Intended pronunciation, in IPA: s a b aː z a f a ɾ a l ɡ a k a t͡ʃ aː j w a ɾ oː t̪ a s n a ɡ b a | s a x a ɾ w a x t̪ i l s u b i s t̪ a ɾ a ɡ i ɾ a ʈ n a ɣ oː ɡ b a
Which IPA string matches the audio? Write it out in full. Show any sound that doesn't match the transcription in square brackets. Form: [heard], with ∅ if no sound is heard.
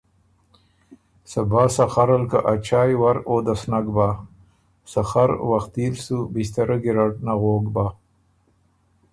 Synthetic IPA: s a b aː [s] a [x] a ɾ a l [k] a [ʔ] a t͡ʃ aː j w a ɾ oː [d̪] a s n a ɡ b a | s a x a ɾ w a x t̪ i l s u b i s t̪ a ɾ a ɡ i ɾ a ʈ n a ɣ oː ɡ b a